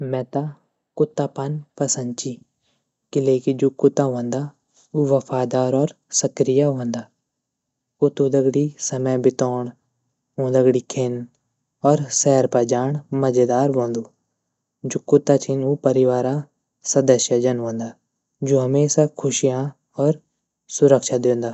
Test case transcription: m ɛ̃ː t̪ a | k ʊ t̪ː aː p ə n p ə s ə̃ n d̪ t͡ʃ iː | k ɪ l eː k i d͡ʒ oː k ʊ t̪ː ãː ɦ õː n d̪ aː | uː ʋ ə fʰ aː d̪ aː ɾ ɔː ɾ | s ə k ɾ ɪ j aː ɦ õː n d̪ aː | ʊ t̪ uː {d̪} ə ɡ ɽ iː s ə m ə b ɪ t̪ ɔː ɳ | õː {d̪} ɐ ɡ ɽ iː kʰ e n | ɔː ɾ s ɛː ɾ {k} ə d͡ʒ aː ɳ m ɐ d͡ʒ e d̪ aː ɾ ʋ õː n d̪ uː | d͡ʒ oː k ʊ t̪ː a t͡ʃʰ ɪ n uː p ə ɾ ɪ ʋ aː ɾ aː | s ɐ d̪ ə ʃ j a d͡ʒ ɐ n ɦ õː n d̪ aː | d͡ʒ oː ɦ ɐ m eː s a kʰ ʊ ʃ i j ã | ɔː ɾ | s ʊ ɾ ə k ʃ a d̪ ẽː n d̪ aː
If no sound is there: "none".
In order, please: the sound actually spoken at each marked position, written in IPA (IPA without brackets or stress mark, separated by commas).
d̪, d̪, p